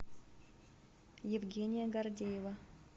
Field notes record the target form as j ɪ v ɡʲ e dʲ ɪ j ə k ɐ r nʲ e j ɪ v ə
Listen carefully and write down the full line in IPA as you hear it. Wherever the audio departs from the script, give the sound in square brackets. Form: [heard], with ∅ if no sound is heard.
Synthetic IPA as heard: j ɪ v ɡʲ e [nʲ] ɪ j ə [ɡ] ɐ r [dʲ] e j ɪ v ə